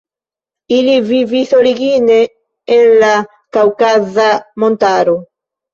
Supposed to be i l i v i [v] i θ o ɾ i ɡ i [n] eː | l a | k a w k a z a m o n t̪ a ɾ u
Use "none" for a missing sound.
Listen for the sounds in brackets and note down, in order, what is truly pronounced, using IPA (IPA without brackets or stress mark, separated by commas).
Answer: v, n